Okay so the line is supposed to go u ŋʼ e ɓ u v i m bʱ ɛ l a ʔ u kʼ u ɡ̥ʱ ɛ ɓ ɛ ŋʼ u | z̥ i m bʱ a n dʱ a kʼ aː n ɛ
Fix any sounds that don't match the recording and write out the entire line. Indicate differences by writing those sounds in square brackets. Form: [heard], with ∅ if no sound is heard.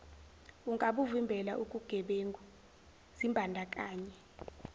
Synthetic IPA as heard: u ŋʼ [a] ɓ u v i m bʱ ɛ l a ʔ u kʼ u ɡ̥ʱ ɛ ɓ [e] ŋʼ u | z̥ i m bʱ a n dʱ a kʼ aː [ɲ] ɛ